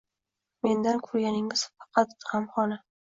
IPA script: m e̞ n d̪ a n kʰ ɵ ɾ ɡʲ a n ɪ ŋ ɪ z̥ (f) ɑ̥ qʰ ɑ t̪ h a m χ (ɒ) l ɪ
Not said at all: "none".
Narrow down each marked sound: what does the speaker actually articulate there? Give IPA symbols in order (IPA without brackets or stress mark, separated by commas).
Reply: f, ɒ